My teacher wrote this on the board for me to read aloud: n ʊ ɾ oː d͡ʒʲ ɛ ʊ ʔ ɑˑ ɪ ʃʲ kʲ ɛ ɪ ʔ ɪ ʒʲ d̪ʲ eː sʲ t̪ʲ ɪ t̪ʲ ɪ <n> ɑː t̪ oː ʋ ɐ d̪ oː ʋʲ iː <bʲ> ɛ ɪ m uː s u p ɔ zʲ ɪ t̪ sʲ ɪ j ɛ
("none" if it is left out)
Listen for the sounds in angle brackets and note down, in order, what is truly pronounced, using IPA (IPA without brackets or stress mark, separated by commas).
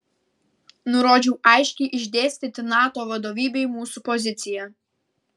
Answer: n, bʲ